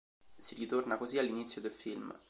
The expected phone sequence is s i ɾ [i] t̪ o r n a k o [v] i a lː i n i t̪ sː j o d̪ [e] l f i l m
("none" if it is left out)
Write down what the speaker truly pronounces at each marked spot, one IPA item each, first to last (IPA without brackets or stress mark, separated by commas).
i, z, e